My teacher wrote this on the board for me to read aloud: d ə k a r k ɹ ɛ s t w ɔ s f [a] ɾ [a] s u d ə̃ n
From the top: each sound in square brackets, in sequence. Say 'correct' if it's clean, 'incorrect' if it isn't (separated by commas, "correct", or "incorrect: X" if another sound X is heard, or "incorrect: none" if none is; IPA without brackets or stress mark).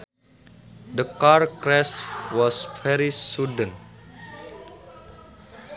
incorrect: ɛ, incorrect: i